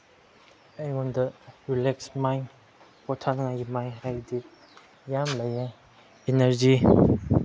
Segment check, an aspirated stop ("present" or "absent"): present